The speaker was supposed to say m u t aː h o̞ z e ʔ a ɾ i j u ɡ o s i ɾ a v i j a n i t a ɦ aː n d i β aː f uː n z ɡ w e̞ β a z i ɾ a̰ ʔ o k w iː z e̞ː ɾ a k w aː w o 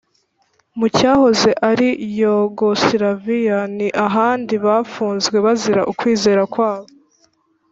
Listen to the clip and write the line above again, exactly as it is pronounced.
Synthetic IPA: m u c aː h o̞ z e ʔ a ɾ i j o ɡ o s i ɾ a v i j a n i ʔ a ɦ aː n d i β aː f uː n z ɡ w e̞ β a z i ɾ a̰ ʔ u k w iː z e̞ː ɾ a k w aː β o